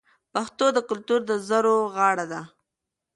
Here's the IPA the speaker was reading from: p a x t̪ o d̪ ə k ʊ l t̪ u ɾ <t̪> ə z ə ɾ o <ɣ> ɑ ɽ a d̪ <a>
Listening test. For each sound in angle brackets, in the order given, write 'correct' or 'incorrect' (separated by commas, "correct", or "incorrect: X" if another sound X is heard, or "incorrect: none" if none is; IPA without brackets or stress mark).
incorrect: d̪, correct, correct